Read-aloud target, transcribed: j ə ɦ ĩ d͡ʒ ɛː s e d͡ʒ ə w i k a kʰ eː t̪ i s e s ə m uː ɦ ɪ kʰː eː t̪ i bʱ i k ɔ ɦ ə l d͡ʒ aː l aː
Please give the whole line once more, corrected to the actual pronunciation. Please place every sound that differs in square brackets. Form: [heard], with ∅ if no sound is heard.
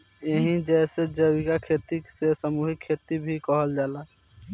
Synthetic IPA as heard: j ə ɦ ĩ d͡ʒ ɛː s e d͡ʒ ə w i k a kʰ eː t̪ i s e s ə m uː ɦ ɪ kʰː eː t̪ i bʱ i k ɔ ɦ ə l d͡ʒ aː l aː